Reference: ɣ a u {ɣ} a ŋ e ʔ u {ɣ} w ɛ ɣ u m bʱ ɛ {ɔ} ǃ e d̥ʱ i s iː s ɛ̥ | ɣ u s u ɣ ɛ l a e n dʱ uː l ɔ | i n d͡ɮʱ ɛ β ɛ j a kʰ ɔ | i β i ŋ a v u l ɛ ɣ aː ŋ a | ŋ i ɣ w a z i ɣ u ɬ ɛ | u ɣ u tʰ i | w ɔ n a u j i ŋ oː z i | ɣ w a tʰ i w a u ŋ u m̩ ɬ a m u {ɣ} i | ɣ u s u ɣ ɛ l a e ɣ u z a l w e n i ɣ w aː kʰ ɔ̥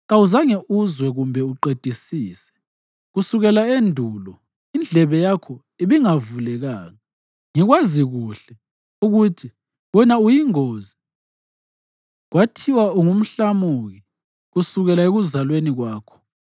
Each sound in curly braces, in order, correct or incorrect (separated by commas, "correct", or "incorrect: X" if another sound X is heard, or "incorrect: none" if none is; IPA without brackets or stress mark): incorrect: z, incorrect: z, incorrect: u, correct